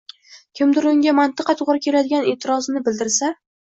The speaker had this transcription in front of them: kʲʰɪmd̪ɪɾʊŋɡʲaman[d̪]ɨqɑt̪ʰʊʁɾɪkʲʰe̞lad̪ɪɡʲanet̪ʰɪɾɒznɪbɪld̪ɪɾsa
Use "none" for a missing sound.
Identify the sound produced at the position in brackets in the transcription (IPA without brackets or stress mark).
t̪